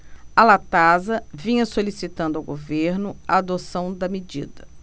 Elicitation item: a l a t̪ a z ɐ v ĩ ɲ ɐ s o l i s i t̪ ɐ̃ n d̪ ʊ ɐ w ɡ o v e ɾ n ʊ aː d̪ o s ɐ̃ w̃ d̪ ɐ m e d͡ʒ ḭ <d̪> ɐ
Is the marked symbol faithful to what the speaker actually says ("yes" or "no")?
yes